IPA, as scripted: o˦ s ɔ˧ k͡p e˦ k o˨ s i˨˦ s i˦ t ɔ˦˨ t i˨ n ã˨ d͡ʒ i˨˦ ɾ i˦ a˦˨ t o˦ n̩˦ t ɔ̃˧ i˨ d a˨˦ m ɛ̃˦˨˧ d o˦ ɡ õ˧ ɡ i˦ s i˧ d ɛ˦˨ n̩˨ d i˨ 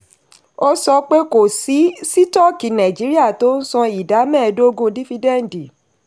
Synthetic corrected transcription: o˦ s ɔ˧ k͡p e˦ k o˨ s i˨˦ s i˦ t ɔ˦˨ k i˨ n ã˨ d͡ʒ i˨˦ ɾ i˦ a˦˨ t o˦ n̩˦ s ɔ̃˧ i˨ d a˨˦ m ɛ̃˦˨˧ d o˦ ɡ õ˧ d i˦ f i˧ d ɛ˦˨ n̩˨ d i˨